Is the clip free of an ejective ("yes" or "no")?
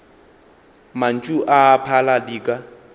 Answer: no